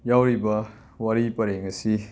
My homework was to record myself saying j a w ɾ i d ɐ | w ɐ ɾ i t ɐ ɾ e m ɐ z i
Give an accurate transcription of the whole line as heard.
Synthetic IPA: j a w ɾ i b ɐ | w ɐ ɾ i p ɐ ɾ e ŋ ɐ s i